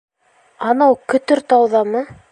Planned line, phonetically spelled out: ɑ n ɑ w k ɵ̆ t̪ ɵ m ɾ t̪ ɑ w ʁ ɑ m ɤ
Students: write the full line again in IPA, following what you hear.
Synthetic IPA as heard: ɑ n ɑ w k ɵ̆ t̪ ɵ ɾ t̪ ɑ w ð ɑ m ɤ

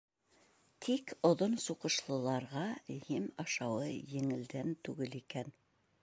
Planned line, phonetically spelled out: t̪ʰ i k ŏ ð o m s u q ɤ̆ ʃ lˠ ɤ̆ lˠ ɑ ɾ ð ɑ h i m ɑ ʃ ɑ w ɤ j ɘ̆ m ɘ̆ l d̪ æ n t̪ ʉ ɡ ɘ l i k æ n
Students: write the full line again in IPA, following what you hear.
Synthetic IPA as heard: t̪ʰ i k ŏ ð o n s u q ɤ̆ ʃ lˠ ɤ̆ lˠ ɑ ɾ ʁ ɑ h i m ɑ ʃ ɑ w ɤ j ɘ̆ ŋ ɘ̆ l d̪ æ n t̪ ʉ ɡ ɘ l i k æ n

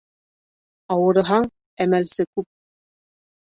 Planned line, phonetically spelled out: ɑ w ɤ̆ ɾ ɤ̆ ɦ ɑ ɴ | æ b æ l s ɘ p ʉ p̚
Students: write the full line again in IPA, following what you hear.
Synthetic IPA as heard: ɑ w ɤ̆ ɾ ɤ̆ ɦ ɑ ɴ | æ m æ l s ɘ k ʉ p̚

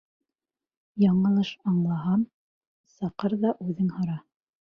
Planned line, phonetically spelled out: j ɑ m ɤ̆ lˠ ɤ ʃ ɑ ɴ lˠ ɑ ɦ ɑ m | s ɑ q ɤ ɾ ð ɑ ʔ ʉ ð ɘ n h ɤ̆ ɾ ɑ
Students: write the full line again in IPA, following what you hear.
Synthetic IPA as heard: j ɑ ɴ ɤ̆ lˠ ɤ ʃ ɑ ɴ lˠ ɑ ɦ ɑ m | s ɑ q ɤ ɾ ð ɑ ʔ ʉ ð ɘ ŋ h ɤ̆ ɾ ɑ

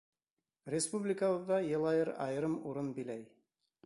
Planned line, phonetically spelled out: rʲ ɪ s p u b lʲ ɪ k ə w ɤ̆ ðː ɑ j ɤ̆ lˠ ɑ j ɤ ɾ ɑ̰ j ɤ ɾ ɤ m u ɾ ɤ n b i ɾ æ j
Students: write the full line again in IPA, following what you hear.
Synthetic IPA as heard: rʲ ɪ s p u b lʲ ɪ k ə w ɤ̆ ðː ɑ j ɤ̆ lˠ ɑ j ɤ ɾ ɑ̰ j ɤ ɾ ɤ m u ɾ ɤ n b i l æ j

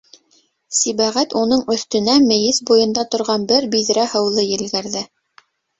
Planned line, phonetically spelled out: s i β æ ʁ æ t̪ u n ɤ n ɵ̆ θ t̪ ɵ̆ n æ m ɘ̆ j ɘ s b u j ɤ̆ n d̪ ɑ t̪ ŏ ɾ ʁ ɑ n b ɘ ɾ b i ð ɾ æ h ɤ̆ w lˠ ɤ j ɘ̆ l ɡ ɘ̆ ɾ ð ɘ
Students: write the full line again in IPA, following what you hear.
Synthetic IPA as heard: s i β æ ʁ æ t̪ u n ɤ ɴ ɵ̆ θ t̪ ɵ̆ n æ m ɘ̆ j ɘ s b u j ɤ̆ n d̪ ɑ t̪ ŏ ɾ ʁ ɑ n b ɘ ɾ b i ð ɾ æ h ɤ̆ w lˠ ɤ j ɘ̆ l ɡ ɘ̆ ɾ ð ɘ

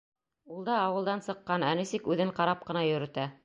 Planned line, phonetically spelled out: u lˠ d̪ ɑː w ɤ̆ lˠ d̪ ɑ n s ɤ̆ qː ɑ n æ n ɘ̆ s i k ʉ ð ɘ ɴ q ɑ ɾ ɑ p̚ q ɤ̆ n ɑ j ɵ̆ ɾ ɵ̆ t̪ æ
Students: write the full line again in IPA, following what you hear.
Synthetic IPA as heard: u lˠ d̪ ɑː w ɤ̆ lˠ d̪ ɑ n s ɤ̆ qː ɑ n æ n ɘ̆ s i k ʉ ð ɘ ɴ q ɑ ɾ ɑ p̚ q ɤ̆ n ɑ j ɵ̆ ɾ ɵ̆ t̪ æ

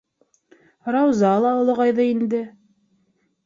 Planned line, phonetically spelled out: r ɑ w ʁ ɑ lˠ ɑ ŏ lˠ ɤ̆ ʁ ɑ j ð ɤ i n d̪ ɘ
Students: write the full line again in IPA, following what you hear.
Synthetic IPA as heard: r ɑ w z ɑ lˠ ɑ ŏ lˠ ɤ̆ ʁ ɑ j ð ɤ i n d̪ ɘ

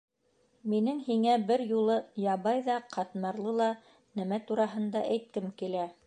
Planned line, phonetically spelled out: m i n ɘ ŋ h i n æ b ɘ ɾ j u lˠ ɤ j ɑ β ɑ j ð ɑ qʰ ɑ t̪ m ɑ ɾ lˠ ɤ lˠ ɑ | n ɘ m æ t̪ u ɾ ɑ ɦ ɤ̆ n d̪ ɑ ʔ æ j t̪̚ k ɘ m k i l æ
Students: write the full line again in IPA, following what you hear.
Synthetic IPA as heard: m i n ɘ ŋ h i ŋ æ b ɘ ɾ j u lˠ ɤ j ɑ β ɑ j ð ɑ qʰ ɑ t̪ m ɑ ɾ lˠ ɤ lˠ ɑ | n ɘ m æ t̪ u ɾ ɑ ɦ ɤ̆ n d̪ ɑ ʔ æ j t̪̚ k ɘ m k i l æ

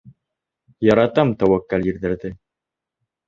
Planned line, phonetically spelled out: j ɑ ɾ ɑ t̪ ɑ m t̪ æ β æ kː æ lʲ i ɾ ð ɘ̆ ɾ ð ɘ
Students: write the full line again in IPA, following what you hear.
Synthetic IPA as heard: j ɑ ɾ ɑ t̪ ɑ m t̪ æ w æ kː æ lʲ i ɾ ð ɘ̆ ɾ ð ɘ

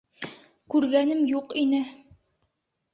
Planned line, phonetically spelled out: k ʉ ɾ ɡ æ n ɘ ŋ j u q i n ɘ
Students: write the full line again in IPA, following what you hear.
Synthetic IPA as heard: k ʉ ɾ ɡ æ n ɘ m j u q i n ɘ

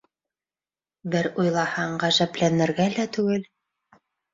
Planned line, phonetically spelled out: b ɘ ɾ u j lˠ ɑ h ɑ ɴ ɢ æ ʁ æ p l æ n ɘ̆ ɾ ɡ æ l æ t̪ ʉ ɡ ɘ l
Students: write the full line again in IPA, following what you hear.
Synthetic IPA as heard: b ɘ ɾ u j lˠ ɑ h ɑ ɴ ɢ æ ʒ æ p l æ n ɘ̆ ɾ ɡ æ l æ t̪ ʉ ɡ ɘ l

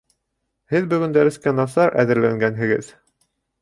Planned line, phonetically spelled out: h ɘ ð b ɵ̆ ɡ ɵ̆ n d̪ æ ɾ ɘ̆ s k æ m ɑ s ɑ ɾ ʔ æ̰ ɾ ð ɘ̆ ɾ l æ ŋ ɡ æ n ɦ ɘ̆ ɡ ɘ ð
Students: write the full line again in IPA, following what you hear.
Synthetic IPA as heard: h ɘ ð b ɵ̆ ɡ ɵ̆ n d̪ æ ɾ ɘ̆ s k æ n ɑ s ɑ ɾ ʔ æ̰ ð ɘ̆ ɾ l æ ŋ ɡ æ n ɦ ɘ̆ ɡ ɘ ð

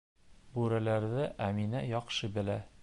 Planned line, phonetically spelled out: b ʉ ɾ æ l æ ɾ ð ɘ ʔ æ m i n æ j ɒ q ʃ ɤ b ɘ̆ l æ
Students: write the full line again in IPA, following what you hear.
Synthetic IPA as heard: b ʉ ɾ æ l æ ɾ ð ɘ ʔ æ m i n æ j ɒ q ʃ ɤ b ɘ̆ l æ

